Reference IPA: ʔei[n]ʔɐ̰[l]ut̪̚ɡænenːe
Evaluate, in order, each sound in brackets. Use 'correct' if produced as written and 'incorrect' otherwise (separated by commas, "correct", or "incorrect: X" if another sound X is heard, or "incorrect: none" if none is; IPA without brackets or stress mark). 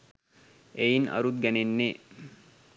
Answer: correct, incorrect: ɾ